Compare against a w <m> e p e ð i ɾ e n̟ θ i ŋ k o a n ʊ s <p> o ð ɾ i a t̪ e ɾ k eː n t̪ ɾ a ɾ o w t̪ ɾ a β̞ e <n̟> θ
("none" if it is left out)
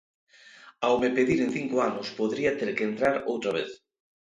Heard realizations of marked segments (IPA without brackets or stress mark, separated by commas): m, p, none